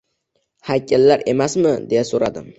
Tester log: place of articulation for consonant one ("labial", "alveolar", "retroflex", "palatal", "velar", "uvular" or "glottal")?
glottal